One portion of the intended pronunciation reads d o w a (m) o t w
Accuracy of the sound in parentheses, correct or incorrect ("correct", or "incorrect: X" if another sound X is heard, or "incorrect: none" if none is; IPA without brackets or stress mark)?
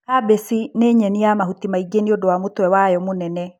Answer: correct